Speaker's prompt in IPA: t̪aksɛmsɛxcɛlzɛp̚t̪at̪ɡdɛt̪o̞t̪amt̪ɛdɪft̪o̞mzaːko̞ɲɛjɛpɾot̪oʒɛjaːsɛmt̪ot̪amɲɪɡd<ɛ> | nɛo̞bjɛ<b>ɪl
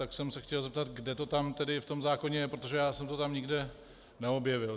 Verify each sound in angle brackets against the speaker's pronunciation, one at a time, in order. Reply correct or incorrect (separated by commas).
correct, incorrect